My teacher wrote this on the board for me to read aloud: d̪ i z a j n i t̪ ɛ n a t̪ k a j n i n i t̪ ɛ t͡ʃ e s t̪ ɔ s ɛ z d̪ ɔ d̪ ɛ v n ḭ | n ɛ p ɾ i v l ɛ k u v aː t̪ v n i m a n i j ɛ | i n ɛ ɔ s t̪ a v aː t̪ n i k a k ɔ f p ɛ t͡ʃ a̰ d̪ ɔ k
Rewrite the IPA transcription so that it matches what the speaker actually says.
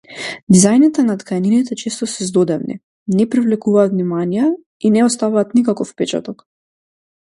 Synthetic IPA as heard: d̪ i z a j n i t̪ ɛ n a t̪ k a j n i n i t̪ ɛ t͡ʃ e s t̪ ɔ s ɛ z d̪ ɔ d̪ ɛ v n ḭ | n ɛ p ɾ i v l ɛ k u v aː t̪ v n i m a n i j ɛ | i n ɛ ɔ s t̪ a v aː t̪ n i k a k ɔ f p ɛ t͡ʃ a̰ t̪ ɔ k